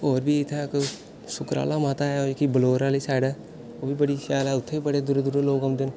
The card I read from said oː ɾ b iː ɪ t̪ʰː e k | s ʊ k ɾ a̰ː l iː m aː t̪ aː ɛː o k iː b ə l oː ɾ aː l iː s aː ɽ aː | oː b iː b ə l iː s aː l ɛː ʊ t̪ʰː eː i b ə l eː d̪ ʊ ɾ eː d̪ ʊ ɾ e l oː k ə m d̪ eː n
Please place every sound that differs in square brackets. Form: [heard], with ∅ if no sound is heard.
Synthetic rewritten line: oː ɾ b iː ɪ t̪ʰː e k | s ʊ k ɾ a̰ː l [aː] m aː t̪ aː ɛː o k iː b ə l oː ɾ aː l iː s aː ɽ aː | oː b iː b ə [ɽ] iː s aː l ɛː ʊ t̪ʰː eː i b ə [ɽ] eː d̪ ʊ ɾ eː d̪ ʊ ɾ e l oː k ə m d̪ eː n